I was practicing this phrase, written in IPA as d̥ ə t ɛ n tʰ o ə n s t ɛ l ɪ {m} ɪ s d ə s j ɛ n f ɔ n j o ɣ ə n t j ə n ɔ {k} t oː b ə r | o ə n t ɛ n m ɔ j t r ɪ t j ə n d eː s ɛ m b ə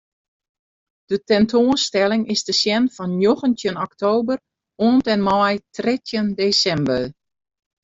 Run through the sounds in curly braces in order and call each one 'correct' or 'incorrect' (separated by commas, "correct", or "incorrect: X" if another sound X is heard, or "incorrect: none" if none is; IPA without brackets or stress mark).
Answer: incorrect: ŋ, correct